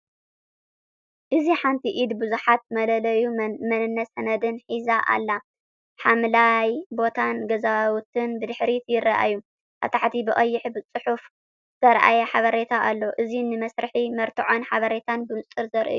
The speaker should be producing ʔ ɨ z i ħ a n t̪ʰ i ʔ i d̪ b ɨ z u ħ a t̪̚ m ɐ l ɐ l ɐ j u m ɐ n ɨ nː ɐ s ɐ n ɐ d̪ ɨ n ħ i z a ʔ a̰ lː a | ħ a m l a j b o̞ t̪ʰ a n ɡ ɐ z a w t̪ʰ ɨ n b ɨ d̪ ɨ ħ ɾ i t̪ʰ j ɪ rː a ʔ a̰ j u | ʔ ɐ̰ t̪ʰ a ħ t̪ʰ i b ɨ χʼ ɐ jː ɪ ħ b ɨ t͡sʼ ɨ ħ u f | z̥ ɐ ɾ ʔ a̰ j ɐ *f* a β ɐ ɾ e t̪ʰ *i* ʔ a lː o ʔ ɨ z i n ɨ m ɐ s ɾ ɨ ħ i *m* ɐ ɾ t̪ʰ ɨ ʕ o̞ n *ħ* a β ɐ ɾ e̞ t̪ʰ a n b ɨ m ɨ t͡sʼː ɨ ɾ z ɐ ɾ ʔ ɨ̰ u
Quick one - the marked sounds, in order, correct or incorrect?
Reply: incorrect, incorrect, correct, correct

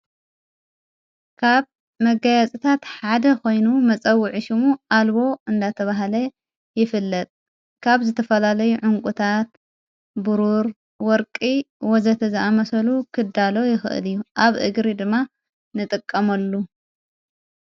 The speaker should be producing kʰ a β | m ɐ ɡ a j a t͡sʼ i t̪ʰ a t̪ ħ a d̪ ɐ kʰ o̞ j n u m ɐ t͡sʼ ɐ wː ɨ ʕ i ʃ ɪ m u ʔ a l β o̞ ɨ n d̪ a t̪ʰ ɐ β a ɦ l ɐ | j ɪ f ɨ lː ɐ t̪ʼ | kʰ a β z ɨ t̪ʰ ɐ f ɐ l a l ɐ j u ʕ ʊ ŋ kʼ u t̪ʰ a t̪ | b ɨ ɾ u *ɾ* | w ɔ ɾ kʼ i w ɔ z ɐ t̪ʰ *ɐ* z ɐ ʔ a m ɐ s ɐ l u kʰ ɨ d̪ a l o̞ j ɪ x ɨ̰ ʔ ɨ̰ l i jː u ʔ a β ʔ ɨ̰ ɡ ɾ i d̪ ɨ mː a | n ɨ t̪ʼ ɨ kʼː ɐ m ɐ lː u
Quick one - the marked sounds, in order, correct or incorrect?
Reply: correct, correct

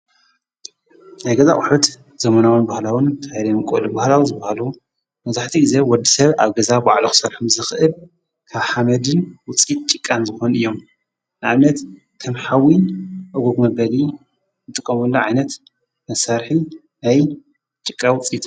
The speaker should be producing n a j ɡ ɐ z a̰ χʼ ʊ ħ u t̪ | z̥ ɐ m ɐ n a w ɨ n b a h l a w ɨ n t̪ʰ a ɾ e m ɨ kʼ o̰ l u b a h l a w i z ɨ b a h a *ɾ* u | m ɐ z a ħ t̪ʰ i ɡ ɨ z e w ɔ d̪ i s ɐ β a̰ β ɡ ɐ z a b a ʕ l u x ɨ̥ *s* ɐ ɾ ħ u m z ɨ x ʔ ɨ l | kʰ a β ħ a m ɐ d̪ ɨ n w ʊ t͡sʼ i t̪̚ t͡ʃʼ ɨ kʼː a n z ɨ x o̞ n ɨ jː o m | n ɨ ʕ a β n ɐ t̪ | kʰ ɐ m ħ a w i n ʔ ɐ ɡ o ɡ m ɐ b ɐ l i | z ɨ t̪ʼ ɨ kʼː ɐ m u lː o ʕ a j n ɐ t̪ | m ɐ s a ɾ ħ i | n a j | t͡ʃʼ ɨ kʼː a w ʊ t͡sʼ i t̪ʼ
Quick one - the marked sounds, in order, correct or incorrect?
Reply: incorrect, correct

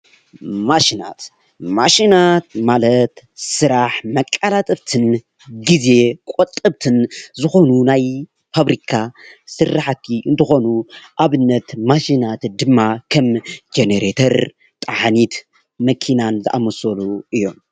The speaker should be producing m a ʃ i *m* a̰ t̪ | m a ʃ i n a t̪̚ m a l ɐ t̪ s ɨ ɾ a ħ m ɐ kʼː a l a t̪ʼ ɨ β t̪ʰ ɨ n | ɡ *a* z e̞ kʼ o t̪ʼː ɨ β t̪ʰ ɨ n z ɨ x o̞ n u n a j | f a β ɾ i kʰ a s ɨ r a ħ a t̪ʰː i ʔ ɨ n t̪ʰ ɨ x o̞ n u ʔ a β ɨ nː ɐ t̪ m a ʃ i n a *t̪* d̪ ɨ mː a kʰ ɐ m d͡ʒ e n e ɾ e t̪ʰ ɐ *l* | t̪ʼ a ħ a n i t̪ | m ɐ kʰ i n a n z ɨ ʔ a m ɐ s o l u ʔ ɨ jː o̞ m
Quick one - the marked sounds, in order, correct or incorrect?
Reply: incorrect, incorrect, correct, incorrect

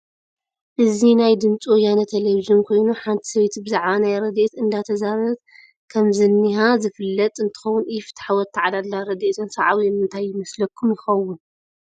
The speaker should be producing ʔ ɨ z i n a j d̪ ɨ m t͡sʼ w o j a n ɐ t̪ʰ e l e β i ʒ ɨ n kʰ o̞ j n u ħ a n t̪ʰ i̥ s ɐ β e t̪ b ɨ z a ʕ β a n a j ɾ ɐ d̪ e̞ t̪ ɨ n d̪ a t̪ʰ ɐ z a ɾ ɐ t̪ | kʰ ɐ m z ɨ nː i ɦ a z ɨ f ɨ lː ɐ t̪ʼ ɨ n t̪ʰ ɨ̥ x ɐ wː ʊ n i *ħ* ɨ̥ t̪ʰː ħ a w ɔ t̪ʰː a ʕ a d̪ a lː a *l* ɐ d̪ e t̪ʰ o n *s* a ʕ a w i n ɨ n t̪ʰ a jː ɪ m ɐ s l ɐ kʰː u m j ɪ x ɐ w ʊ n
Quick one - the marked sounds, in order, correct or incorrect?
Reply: incorrect, incorrect, correct

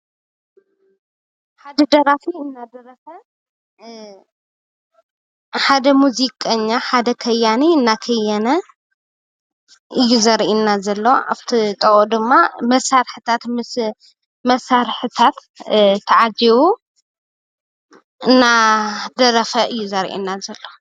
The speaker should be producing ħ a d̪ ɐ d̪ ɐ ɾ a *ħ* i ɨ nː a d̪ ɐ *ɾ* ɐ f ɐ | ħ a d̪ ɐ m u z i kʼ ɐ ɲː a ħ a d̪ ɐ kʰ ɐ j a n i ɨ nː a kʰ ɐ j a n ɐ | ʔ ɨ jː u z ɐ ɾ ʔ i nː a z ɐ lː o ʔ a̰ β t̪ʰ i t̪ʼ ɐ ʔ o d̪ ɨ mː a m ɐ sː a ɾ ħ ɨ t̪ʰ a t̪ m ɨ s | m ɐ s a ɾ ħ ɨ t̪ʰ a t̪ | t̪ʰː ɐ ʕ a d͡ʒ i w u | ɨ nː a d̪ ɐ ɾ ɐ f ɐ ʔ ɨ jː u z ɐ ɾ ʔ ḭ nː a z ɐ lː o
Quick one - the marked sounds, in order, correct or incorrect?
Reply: incorrect, correct

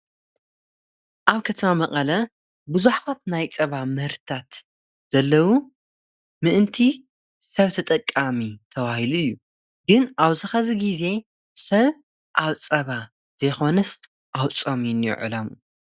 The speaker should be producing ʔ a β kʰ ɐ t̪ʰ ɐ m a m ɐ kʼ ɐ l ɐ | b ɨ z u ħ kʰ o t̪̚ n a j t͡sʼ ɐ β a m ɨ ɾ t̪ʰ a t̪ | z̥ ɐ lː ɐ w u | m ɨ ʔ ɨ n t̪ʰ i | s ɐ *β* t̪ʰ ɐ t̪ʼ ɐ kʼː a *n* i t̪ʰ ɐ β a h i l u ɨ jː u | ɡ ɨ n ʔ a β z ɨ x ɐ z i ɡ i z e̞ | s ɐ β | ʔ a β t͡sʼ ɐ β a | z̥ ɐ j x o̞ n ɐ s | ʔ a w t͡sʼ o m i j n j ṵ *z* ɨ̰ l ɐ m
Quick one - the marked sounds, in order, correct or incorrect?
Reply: correct, incorrect, incorrect

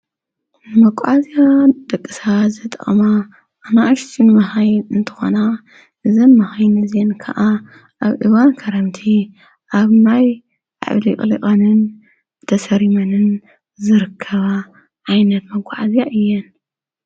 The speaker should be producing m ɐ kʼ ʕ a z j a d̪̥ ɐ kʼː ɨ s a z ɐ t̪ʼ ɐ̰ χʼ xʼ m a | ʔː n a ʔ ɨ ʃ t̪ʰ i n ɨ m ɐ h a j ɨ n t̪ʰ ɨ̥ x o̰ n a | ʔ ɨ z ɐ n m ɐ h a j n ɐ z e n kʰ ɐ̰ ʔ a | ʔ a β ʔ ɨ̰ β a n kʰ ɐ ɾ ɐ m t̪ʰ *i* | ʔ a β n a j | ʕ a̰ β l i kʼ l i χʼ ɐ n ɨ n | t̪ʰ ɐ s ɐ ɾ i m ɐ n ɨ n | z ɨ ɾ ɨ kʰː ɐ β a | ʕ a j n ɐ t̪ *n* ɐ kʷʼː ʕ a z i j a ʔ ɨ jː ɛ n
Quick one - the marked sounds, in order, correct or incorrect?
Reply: correct, incorrect

